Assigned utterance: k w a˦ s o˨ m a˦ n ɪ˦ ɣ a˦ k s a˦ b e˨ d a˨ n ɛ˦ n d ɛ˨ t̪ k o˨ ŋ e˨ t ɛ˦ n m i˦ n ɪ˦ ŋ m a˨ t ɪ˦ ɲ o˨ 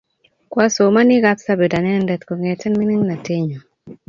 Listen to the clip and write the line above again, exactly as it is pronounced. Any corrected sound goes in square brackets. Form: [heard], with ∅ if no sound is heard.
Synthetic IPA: k w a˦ s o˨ m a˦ n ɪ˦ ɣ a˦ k s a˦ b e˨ d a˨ n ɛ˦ n d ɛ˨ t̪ k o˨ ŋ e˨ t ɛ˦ n m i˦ n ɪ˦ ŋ [n] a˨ t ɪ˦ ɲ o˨